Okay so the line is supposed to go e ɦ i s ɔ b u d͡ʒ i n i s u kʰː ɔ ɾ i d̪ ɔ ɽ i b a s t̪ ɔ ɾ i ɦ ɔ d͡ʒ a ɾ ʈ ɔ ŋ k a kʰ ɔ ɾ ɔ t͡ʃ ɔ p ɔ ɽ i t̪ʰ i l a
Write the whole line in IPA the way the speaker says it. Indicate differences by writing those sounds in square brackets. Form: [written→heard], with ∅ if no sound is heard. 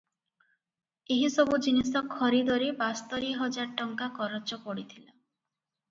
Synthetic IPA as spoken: e ɦ i s ɔ b u d͡ʒ i n i s [u→ɔ] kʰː ɔ ɾ i d̪ ɔ [ɽ→ɾ] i b a s t̪ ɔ ɾ i ɦ ɔ d͡ʒ a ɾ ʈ ɔ ŋ k a [kʰ→k] ɔ ɾ ɔ t͡ʃ ɔ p ɔ ɽ i t̪ʰ i l a